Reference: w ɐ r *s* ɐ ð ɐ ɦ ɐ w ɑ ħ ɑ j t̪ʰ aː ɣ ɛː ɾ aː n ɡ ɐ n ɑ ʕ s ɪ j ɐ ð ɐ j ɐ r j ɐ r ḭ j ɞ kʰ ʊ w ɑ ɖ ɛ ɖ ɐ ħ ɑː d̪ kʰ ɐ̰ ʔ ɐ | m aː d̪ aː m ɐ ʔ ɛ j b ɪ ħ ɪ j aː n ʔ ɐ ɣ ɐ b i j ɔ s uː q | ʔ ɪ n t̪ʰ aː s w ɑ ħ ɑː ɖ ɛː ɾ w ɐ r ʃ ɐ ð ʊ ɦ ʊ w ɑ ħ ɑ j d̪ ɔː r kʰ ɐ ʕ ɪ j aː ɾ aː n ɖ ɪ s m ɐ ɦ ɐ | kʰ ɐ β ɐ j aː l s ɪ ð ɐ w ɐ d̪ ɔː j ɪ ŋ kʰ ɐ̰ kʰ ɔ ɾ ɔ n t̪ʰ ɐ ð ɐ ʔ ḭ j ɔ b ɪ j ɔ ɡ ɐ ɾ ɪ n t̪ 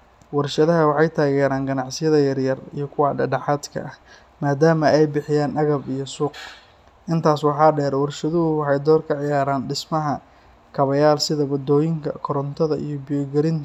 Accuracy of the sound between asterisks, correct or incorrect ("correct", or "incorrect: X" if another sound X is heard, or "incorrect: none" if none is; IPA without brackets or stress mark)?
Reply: incorrect: ʃ